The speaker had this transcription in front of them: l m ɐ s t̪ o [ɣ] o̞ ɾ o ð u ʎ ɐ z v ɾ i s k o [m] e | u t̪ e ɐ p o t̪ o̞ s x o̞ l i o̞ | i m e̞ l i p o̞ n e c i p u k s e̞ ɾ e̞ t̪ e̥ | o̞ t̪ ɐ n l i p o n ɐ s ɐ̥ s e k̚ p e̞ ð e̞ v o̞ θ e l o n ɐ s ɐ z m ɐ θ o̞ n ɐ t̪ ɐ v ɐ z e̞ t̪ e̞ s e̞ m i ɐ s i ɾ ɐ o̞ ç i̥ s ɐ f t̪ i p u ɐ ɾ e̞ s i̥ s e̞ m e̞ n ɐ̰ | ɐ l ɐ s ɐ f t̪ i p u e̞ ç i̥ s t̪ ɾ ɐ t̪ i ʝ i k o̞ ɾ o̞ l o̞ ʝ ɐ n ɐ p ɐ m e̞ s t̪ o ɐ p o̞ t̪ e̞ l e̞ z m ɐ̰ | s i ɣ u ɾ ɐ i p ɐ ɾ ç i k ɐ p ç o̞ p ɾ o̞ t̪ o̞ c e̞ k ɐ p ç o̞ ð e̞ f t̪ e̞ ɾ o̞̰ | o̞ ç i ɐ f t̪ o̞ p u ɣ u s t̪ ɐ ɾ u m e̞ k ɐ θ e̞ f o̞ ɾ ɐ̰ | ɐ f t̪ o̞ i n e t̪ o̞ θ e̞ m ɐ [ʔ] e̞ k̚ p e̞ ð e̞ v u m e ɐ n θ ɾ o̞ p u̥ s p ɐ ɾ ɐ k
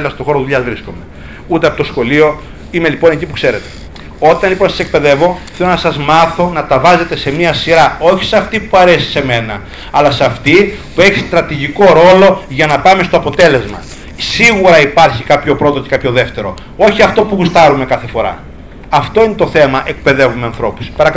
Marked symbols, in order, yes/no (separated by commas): no, yes, yes